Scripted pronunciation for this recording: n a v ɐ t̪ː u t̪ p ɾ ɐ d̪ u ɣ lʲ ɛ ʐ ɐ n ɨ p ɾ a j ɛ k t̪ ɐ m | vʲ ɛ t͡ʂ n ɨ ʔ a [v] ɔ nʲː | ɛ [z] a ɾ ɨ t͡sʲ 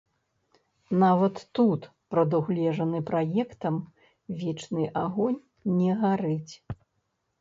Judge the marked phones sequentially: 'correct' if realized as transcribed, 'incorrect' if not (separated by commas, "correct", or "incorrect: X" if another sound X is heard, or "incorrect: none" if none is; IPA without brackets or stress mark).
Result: incorrect: ɣ, incorrect: ɣ